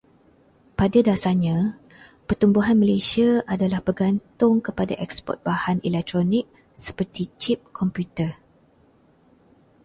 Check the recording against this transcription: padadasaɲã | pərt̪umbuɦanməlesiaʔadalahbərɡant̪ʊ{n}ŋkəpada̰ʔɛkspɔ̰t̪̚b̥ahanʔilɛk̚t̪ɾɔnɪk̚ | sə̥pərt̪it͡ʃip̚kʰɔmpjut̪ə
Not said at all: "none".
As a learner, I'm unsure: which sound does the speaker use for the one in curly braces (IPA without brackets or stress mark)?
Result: none